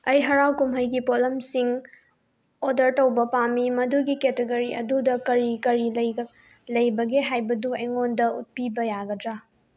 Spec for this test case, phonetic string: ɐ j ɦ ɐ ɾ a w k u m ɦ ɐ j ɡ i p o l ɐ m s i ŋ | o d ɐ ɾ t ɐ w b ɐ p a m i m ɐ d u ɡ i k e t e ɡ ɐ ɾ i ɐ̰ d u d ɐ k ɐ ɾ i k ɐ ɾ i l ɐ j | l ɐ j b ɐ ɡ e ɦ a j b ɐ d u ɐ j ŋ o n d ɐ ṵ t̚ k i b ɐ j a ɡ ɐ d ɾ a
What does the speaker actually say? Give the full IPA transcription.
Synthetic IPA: ɐ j ɦ ɐ ɾ a w k u m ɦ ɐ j ɡ i p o l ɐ m s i ŋ | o d ɐ ɾ t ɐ w b ɐ p a m i m ɐ d u ɡ i k e t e ɡ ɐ ɾ i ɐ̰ d u d ɐ k ɐ ɾ i k ɐ ɾ i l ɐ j | l ɐ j b ɐ ɡ e ɦ a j b ɐ d u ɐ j ŋ o n d ɐ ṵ t̚ p i b ɐ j a ɡ ɐ d ɾ a